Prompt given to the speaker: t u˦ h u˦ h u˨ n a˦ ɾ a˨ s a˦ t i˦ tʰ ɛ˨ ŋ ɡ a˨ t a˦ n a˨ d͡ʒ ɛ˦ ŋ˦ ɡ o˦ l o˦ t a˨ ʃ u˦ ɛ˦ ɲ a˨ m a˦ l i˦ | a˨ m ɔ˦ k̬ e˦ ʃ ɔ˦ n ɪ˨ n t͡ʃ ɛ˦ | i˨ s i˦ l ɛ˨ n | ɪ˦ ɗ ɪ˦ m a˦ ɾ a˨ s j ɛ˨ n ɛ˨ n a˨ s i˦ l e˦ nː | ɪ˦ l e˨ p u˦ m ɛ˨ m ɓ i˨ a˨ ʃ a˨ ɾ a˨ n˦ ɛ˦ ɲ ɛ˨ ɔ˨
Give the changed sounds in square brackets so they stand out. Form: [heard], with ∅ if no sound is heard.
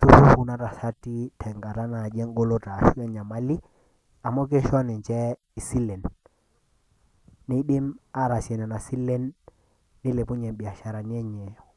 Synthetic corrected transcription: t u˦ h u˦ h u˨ n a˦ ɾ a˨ s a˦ t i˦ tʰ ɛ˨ ŋ ɡ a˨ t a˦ n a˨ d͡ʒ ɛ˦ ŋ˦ ɡ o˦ l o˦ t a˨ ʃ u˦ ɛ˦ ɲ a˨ m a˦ l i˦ | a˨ m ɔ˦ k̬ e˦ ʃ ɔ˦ n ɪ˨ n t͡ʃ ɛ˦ | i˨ s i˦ l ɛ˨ n | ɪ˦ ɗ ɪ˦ m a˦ ɾ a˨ s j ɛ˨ n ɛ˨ n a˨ s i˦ l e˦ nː | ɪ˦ l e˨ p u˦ [ɲ] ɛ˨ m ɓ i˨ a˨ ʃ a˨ ɾ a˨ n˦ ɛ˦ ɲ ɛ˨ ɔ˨